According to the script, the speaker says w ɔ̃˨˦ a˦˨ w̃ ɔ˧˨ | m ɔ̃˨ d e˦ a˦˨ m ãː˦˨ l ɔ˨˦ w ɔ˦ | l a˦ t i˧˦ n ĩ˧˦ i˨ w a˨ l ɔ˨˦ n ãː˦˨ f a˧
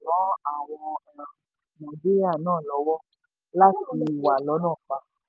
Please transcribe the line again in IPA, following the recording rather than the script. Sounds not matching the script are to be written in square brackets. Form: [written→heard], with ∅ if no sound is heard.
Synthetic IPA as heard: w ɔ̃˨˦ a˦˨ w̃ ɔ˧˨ | m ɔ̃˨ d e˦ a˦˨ [m→n] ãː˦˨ l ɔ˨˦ w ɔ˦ | l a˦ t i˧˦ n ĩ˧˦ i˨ w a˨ l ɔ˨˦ n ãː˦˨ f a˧